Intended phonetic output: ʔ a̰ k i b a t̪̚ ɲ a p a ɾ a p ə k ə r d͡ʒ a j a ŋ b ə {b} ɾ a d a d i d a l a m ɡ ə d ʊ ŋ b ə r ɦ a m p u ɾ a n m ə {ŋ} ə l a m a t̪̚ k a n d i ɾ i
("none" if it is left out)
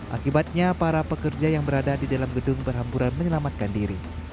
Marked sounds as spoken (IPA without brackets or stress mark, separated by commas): none, ɲ